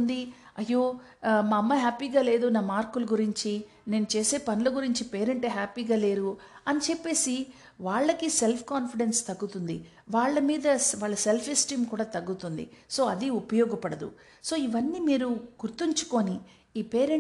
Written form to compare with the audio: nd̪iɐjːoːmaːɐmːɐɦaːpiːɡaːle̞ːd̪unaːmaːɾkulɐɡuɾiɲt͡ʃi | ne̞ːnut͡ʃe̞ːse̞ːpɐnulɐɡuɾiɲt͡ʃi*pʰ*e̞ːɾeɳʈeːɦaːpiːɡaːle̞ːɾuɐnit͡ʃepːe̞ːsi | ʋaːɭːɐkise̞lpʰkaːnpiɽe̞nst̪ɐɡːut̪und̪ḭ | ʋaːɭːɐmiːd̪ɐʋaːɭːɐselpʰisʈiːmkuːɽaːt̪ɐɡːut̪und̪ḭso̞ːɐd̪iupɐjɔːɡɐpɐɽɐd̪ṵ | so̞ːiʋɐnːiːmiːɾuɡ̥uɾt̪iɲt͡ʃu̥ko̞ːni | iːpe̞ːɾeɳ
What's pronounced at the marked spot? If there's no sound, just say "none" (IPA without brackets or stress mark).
p